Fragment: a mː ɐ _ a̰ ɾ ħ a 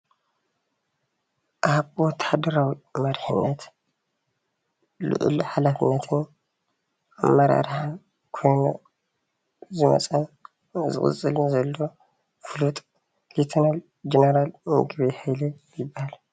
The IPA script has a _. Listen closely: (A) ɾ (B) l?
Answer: A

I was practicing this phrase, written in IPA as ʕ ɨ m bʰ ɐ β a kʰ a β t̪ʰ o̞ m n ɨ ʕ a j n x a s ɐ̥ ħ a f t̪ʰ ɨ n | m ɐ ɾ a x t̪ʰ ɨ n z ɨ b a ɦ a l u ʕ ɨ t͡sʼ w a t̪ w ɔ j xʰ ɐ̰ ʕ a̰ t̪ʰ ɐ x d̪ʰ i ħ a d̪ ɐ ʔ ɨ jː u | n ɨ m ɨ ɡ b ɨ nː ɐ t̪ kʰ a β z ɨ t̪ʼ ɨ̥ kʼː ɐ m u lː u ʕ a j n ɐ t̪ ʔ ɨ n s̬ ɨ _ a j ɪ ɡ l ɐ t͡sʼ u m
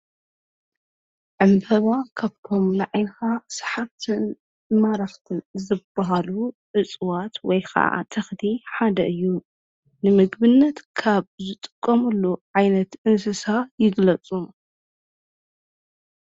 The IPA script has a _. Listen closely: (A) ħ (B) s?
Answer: B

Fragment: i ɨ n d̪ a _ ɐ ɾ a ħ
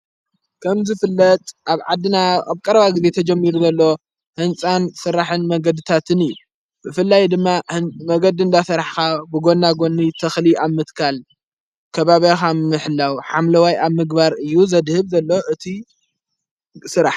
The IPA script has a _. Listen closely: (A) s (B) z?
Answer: A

